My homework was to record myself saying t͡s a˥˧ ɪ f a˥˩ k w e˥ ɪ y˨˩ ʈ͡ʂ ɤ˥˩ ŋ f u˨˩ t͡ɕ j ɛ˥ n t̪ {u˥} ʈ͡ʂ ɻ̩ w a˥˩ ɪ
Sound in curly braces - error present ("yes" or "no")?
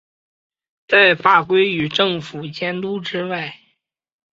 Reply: no